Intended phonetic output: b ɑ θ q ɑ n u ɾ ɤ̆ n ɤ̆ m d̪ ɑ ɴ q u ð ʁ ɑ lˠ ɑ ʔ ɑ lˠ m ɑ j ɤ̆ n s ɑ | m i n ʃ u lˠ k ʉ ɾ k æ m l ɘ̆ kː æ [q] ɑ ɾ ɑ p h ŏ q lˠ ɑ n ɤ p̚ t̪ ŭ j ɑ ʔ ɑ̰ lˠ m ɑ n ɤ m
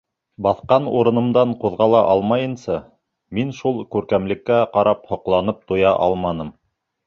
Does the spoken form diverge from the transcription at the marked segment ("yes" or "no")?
no